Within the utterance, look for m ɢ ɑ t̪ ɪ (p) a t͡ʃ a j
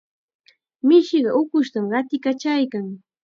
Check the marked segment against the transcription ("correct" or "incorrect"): incorrect